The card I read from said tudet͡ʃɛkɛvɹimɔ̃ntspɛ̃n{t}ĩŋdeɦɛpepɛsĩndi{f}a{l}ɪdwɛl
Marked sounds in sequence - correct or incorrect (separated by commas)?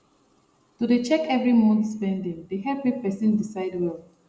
incorrect, incorrect, incorrect